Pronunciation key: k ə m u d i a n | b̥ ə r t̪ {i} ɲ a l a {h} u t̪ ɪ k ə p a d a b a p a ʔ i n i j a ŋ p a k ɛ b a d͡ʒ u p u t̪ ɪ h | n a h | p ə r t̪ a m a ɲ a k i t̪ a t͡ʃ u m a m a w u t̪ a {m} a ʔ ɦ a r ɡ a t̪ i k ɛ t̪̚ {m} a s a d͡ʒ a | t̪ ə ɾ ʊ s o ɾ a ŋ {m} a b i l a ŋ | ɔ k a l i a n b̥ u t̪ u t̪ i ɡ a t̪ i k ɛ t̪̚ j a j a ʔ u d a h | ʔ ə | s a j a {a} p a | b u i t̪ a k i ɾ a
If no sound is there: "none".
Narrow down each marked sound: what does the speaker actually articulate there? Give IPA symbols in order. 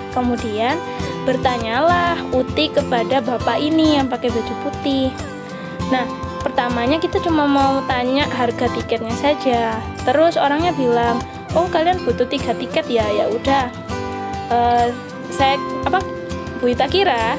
a, h, ɲ, ɲ, ɲ, a

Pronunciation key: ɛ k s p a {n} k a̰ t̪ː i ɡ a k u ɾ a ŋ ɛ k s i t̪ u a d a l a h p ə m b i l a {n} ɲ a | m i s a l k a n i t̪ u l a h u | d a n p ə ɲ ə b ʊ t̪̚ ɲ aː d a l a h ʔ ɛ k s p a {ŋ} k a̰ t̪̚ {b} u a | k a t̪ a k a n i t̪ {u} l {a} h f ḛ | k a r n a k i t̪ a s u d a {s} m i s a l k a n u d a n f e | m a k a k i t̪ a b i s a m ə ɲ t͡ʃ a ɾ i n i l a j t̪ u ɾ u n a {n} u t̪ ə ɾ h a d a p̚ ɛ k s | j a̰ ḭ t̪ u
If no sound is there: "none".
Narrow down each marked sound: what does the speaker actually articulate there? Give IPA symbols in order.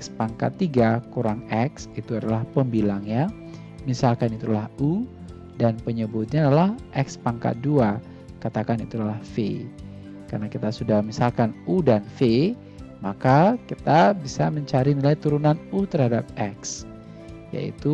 ŋ, ŋ, ŋ, d, u, a, h, n

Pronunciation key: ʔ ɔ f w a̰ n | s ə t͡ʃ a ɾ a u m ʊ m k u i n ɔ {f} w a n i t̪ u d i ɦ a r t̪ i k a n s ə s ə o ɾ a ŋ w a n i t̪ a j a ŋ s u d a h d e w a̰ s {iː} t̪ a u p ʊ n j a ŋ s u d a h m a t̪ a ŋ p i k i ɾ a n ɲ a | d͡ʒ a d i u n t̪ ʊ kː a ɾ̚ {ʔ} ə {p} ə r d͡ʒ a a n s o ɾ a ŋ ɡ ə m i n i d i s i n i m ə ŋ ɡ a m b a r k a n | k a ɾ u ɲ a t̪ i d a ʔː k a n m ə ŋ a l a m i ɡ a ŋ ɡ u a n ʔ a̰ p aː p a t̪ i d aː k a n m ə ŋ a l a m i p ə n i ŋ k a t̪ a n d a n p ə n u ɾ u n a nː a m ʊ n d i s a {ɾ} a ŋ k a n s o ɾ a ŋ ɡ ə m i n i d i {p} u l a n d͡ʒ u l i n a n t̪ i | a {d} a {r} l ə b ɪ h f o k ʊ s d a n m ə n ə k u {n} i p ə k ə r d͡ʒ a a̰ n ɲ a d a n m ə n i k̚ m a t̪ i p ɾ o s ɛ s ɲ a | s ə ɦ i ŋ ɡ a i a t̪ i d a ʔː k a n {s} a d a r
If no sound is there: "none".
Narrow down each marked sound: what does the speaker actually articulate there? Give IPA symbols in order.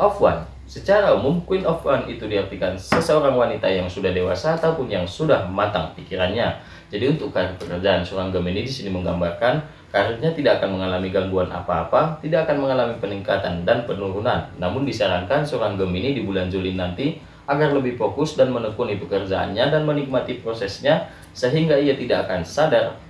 f, aː, p, k, ɾ, b, ɡ, r, n, s

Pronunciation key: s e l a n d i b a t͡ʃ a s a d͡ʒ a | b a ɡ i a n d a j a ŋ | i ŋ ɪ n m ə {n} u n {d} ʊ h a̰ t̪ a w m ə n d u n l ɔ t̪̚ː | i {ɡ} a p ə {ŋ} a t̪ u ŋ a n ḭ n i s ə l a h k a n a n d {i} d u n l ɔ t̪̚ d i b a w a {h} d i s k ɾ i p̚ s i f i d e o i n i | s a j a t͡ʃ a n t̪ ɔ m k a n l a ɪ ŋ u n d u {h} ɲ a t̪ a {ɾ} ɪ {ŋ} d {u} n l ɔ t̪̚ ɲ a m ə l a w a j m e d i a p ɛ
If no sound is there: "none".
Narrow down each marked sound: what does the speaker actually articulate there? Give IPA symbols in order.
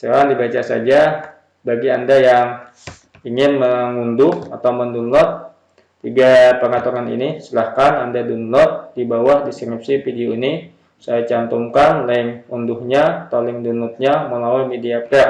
ŋ, d, ɡ, ŋ, a, h, h, l, ŋ, u

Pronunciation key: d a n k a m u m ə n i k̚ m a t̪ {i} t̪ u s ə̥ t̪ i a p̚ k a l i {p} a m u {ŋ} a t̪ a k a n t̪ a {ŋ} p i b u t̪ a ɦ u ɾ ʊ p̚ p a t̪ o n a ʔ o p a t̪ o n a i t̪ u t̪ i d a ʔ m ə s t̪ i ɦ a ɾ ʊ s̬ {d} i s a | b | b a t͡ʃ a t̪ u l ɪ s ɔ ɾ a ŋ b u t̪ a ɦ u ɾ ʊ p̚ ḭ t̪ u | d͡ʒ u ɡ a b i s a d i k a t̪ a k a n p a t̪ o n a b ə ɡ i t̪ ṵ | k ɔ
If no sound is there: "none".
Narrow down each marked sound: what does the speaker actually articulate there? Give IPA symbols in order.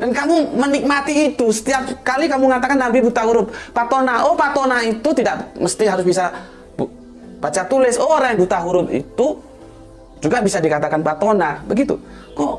iː, k, ŋ, m, b

